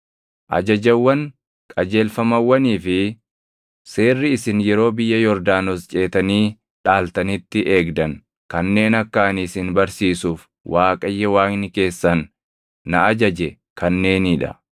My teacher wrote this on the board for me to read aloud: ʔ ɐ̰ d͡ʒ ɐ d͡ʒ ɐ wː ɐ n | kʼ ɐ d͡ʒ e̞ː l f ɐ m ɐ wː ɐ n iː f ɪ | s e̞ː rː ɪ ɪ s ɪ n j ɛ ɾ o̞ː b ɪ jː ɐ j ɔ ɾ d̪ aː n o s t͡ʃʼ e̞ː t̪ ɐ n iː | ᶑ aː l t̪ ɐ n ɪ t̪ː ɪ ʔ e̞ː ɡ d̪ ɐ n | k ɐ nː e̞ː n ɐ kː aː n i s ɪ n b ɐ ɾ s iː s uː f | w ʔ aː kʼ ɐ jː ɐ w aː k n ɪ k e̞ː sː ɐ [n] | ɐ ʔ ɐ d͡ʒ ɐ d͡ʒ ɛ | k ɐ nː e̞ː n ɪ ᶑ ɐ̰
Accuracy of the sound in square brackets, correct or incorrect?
incorrect